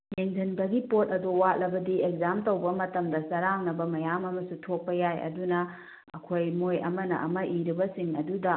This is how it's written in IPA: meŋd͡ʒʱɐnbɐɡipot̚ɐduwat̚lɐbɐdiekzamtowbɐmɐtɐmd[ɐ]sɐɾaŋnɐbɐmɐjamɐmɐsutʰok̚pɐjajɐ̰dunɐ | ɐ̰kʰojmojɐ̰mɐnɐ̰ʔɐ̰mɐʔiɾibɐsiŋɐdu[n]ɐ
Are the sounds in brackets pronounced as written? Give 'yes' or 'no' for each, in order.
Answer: yes, no

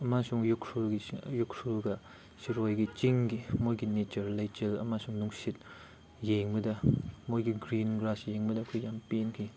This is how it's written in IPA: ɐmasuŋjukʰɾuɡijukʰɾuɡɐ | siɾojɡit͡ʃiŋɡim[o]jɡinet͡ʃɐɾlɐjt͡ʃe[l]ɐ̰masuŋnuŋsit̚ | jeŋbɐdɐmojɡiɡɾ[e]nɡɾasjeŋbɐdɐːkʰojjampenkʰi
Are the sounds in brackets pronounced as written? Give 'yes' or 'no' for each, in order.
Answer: yes, yes, no

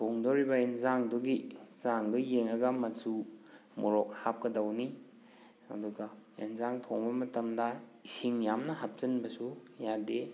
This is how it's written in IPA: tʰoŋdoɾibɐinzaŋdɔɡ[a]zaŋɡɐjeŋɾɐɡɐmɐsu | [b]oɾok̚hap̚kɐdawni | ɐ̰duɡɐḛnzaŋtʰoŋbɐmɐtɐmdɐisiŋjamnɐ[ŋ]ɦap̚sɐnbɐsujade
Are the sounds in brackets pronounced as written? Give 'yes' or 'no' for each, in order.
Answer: no, no, no

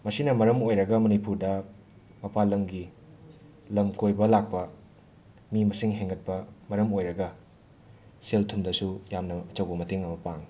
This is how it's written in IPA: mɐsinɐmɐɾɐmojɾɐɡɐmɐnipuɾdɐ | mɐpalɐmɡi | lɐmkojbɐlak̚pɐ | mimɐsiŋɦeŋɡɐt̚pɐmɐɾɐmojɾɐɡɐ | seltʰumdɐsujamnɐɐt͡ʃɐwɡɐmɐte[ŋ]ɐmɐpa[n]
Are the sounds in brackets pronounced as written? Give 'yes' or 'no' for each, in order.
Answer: yes, no

